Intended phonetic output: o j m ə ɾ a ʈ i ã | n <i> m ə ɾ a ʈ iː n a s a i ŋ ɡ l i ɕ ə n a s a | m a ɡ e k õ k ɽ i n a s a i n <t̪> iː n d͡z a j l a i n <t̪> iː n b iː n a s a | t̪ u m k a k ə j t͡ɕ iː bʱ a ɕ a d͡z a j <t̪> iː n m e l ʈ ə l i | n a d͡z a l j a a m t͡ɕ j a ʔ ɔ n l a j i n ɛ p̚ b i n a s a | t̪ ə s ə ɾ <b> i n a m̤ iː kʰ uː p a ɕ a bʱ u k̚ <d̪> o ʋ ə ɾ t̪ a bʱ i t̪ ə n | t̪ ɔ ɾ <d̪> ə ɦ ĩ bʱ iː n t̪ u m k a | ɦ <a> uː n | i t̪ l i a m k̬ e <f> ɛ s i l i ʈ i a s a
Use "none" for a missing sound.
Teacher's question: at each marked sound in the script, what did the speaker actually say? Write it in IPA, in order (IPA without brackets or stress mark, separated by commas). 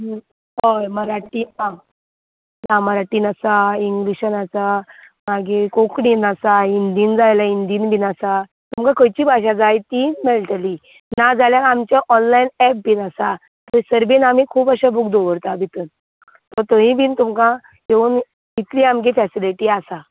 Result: a, d̪, d̪, t̪, b, d̪, t̪, e, f